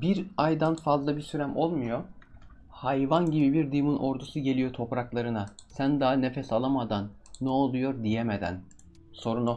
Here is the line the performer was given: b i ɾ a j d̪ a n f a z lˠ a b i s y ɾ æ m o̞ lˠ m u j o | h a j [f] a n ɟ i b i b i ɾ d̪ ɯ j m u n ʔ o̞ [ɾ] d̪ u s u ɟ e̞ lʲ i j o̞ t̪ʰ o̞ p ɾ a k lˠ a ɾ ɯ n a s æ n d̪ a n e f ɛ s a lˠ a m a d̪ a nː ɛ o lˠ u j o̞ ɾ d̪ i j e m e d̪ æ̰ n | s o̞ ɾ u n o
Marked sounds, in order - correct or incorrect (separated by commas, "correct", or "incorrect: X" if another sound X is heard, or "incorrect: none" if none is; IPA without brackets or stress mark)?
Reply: incorrect: v, correct